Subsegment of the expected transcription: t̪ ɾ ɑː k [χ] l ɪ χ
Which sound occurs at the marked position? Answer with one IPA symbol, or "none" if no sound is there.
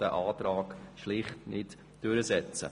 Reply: ʃ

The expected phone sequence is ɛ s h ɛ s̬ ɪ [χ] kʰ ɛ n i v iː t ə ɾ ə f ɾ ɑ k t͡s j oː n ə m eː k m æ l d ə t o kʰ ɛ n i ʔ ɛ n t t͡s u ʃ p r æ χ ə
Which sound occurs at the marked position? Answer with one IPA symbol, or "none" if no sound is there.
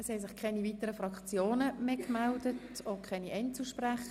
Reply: χ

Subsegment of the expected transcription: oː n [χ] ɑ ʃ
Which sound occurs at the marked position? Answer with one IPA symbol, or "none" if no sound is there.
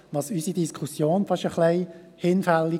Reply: f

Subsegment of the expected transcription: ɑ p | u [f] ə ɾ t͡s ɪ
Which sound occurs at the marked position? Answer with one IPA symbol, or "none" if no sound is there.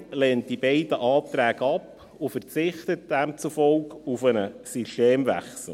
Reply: f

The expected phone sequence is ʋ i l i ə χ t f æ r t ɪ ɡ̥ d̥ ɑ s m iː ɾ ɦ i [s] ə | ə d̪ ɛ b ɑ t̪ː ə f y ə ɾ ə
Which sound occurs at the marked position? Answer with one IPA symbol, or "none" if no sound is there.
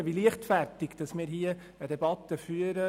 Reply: none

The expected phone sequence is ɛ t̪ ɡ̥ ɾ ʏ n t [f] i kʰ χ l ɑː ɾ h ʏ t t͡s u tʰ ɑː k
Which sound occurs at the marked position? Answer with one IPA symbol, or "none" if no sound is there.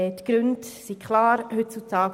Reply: s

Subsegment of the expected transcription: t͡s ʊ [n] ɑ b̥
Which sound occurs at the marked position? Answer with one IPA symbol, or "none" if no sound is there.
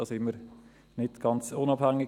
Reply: n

